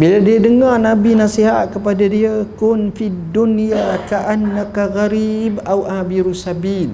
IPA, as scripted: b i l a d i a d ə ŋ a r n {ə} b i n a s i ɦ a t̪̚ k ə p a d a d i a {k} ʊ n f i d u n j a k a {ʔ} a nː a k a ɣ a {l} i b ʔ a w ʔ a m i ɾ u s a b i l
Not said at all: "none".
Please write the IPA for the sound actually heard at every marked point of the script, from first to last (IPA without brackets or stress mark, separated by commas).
a, k, ʔ, ɾ